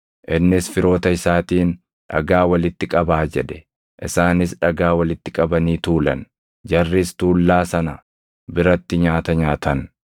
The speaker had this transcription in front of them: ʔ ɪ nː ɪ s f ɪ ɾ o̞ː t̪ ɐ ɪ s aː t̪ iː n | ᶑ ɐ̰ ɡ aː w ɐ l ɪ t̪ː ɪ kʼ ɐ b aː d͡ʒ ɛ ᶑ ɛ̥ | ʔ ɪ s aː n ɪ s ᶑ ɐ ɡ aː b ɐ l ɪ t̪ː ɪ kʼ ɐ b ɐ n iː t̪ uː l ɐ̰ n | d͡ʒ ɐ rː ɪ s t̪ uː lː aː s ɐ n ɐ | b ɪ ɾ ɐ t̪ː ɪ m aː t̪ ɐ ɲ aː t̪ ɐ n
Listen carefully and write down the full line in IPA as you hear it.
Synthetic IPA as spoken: ʔ ɪ nː ɪ s f ɪ ɾ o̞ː t̪ ɐ ɪ s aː t̪ iː n | ᶑ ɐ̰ ɡ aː w ɐ l ɪ t̪ː ɪ kʼ ɐ b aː d͡ʒ ɛ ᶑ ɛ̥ | ʔ ɪ s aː n ɪ s ᶑ ɐ ɡ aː w ɐ l ɪ t̪ː ɪ kʼ ɐ b ɐ n iː t̪ uː l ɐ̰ n | d͡ʒ ɐ rː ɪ s t̪ uː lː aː s ɐ n ɐ | b ɪ ɾ ɐ t̪ː ɪ ɲ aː t̪ ɐ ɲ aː t̪ ɐ n